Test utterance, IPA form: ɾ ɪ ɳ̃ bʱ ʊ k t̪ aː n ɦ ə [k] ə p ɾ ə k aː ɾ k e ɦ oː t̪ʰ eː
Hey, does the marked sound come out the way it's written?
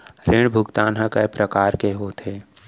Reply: yes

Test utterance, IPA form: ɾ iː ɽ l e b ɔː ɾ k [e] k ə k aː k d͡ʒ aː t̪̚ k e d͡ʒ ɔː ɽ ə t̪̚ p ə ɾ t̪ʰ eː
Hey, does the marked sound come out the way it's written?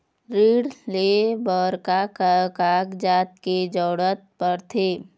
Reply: no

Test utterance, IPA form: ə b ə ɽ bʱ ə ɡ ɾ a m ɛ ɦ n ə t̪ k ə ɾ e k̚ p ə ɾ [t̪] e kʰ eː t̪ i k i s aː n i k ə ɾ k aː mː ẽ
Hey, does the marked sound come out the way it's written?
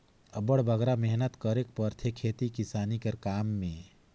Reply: no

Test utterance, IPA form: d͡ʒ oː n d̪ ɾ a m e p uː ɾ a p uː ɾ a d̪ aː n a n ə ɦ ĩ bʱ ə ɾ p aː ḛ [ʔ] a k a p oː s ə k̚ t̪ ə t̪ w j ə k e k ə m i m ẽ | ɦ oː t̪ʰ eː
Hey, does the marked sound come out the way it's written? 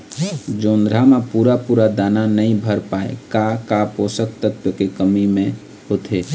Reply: no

